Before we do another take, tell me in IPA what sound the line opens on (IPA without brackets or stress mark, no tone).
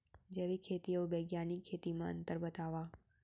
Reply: d͡ʒ